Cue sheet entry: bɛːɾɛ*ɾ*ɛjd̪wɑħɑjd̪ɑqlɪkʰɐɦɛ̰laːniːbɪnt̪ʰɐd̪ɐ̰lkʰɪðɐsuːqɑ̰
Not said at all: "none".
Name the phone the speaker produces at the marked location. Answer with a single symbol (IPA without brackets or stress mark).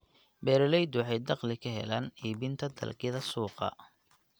l